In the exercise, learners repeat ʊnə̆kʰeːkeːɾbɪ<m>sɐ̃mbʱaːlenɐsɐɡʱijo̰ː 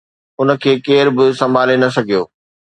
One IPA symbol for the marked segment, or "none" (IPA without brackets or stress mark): none